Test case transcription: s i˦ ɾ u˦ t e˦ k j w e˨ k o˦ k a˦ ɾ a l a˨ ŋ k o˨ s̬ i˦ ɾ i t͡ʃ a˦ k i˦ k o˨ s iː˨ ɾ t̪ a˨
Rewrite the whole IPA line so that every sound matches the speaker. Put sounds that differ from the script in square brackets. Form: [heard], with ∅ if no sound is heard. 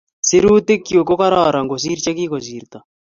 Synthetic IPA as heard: s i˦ ɾ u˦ t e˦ k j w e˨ k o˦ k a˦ ɾ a [ɾ] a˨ ŋ [ɡ] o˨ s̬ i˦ ɾ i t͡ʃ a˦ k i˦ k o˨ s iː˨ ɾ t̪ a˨